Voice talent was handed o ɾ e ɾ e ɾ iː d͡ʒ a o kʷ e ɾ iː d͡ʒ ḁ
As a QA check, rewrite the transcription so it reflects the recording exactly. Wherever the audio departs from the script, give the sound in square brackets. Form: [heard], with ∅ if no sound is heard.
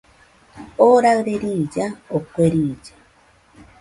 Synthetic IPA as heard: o ɾ [a] ɾ e ɾ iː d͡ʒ a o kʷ e ɾ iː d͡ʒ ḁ